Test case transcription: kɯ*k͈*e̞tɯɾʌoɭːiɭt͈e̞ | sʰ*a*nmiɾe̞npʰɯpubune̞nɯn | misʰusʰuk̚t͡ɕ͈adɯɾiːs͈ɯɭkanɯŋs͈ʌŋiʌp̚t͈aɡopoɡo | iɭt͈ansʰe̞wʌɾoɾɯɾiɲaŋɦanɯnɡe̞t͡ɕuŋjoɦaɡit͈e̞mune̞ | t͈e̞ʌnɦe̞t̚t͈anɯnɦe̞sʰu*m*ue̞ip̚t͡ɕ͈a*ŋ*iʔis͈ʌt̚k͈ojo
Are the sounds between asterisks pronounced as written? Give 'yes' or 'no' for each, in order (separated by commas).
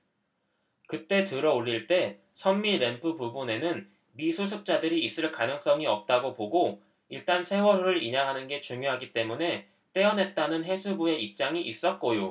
no, no, no, yes